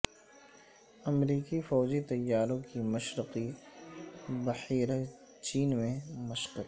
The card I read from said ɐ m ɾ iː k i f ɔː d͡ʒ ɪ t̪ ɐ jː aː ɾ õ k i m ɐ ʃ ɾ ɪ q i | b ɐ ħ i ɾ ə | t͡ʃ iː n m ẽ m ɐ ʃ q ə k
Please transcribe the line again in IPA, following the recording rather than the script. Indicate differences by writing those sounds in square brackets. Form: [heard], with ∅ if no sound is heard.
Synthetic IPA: ɐ m ɾ iː k i f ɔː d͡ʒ [i] t̪ ɐ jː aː ɾ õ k i m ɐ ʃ ɾ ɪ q i | b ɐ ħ [iː] ɾ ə | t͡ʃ iː n m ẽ m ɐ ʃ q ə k